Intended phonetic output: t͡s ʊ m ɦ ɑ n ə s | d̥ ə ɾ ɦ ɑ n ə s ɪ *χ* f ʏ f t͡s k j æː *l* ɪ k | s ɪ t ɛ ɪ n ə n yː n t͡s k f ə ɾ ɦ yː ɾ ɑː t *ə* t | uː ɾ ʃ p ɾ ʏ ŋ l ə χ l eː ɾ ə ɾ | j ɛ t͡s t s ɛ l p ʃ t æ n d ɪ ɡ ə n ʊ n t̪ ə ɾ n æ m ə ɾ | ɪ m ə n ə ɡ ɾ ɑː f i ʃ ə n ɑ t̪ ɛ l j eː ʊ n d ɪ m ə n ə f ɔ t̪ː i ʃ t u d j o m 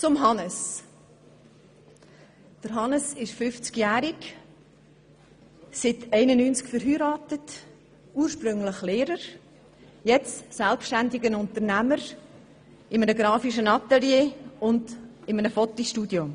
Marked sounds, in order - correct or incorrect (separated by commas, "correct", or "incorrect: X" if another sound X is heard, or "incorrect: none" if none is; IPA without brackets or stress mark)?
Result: incorrect: ʃ, incorrect: ɾ, correct